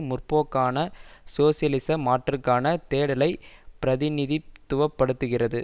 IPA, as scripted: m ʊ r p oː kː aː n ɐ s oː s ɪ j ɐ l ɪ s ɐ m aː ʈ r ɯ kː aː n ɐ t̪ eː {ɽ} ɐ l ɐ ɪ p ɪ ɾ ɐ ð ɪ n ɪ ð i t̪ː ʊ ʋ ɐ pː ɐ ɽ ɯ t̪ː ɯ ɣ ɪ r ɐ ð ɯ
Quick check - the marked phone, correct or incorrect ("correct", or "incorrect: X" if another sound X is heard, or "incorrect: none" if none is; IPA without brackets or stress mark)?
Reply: correct